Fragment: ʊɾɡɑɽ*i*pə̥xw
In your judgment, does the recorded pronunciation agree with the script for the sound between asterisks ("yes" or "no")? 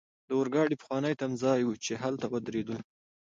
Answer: yes